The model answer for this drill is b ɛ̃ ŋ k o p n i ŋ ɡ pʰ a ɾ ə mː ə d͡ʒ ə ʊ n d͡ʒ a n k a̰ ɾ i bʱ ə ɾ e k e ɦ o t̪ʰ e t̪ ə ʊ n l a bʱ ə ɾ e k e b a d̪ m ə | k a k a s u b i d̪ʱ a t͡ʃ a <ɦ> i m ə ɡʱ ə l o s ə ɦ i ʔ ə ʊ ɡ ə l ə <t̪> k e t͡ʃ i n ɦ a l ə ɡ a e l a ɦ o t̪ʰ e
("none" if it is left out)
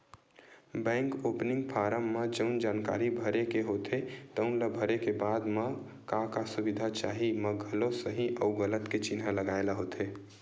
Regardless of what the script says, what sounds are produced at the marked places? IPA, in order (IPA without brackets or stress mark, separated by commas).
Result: ɦ, t̪